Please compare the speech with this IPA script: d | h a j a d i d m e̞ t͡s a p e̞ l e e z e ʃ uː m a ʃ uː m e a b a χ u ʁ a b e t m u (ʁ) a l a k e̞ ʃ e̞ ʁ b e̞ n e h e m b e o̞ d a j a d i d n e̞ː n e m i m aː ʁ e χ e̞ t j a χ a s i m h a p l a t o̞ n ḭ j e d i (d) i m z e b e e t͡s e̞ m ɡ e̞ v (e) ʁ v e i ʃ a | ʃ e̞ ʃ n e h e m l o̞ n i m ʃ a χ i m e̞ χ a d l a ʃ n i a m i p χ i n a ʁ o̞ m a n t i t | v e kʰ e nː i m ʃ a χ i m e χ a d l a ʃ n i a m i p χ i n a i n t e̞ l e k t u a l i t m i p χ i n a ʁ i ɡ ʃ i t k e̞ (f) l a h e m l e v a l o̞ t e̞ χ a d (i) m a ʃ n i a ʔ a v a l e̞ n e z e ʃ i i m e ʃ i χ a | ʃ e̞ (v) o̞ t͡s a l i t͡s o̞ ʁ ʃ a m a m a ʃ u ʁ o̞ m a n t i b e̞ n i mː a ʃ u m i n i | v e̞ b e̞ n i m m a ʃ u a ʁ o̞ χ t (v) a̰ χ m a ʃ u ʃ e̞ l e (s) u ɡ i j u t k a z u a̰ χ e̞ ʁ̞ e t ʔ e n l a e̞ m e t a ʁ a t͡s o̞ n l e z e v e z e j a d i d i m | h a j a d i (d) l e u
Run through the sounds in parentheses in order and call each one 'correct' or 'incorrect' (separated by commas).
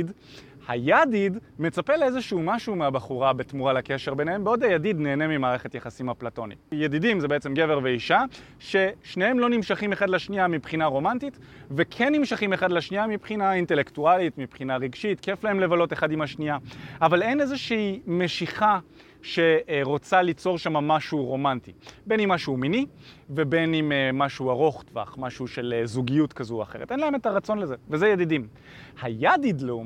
correct, correct, correct, correct, correct, incorrect, correct, incorrect, correct